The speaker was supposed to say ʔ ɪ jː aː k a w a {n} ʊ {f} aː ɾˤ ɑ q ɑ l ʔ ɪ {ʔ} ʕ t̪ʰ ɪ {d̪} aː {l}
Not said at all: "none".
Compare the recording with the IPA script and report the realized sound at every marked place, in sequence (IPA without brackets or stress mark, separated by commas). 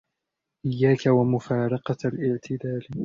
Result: m, f, none, d̪, l